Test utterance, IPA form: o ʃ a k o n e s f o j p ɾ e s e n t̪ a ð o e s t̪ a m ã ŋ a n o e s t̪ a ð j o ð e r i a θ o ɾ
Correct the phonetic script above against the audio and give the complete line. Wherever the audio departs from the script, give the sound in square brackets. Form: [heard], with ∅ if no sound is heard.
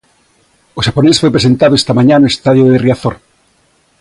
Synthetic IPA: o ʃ a [p] o n e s f o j p ɾ e s e n t̪ a ð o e s t̪ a m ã [ɲ] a n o e s t̪ a ð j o ð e r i a θ o ɾ